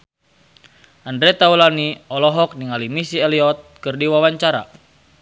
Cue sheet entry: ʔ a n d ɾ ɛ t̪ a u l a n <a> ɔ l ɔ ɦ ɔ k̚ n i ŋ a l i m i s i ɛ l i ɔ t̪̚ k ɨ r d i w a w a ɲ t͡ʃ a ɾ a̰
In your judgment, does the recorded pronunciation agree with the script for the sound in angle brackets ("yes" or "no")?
no